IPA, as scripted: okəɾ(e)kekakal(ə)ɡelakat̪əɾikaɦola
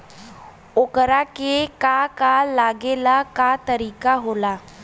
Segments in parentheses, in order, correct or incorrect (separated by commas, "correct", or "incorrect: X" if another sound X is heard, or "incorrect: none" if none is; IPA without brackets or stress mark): incorrect: a, incorrect: a